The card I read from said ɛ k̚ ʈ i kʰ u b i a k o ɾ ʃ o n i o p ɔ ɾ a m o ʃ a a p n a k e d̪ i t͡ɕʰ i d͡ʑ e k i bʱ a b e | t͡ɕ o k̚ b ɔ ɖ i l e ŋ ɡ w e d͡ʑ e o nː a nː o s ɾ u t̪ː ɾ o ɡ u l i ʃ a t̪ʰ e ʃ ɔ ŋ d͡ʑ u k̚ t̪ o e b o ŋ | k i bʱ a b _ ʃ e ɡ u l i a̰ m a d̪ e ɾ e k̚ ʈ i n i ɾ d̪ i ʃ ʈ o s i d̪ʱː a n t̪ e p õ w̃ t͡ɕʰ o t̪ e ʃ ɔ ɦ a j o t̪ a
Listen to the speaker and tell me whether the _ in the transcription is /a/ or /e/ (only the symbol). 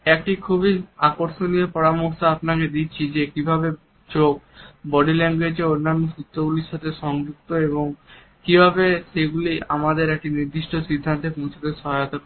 e